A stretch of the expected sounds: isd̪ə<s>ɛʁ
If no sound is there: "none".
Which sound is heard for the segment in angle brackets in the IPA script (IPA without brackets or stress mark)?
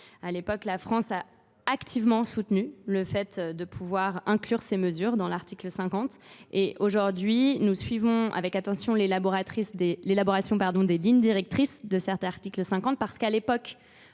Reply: s